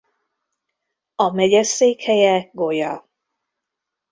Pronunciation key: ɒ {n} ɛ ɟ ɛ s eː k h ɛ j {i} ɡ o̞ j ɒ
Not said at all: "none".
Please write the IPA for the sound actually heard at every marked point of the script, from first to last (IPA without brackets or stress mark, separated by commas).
m, ɛ